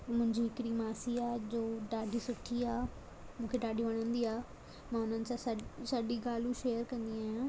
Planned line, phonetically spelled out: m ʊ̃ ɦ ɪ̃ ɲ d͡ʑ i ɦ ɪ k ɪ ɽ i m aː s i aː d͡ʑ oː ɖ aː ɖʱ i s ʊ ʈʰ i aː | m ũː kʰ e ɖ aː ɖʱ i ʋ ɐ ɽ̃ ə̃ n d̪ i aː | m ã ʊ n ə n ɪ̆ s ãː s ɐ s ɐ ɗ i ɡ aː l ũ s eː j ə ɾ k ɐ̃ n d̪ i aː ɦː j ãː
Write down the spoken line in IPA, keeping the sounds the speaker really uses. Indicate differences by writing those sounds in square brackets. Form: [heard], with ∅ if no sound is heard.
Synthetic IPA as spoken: m ʊ̃ ɦ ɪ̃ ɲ d͡ʑ i ɦ ɪ k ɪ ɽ i m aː s i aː d͡ʑ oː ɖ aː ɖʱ i s ʊ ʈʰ i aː | m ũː kʰ e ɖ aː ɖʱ i ʋ ɐ ɽ̃ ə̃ n d̪ i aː | m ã ʊ n ə n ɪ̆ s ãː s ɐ s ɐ ɗ i ɡ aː l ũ [ʃ] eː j ə ɾ k ɐ̃ n d̪ i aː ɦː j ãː